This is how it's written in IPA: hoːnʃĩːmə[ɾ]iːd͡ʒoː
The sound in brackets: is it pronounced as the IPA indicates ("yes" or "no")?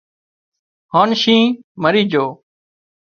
yes